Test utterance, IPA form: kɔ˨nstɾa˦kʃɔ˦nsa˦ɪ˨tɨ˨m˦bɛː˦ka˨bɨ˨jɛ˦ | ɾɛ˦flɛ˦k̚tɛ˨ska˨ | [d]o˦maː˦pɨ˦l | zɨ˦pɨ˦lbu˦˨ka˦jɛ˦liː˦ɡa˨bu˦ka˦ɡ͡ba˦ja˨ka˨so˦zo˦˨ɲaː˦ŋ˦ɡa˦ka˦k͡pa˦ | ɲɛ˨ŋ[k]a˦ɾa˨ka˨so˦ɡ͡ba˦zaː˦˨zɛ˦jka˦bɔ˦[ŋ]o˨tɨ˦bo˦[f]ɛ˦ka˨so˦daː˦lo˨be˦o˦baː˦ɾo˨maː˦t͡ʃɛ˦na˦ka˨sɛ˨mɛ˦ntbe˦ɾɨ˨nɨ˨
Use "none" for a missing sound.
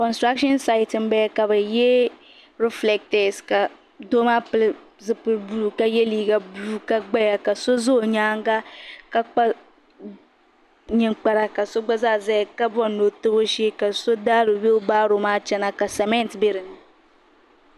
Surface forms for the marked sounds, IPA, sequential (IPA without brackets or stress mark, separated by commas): d, k͡p, n, ʃ